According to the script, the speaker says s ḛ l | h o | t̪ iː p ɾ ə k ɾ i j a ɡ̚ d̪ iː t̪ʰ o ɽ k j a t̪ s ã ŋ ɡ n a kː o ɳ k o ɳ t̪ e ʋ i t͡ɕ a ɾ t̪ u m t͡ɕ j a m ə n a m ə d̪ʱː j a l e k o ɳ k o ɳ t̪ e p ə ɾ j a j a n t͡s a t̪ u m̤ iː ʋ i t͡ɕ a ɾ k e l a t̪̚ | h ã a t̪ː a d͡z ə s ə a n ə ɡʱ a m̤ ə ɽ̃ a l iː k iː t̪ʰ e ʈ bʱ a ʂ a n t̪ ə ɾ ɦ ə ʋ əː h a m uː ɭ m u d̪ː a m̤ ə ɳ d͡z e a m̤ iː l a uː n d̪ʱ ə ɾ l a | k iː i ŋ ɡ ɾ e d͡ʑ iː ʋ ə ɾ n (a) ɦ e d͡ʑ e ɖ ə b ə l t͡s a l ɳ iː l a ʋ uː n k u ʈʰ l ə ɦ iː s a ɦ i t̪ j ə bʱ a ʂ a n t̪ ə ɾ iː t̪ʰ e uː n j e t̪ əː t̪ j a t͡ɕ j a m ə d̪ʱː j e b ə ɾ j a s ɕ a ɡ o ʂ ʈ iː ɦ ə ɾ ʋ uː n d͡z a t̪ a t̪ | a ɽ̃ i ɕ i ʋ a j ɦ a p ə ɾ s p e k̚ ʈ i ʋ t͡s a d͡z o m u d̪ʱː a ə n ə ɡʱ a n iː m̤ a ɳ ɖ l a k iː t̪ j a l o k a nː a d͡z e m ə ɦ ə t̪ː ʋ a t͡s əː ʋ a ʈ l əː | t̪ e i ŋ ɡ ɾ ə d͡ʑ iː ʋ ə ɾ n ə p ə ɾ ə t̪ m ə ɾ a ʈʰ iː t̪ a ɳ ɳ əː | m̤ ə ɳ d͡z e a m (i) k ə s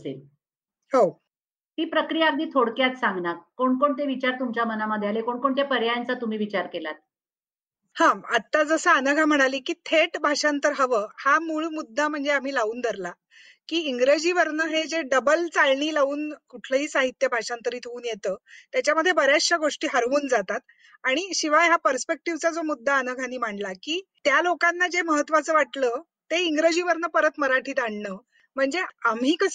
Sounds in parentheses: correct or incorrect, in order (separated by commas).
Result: incorrect, incorrect